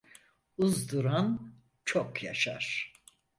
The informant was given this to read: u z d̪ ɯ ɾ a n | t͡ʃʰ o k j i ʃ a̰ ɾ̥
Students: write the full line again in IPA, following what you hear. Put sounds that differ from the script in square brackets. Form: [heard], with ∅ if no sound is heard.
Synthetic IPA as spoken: u z d̪ [u] ɾ a n | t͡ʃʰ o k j [a] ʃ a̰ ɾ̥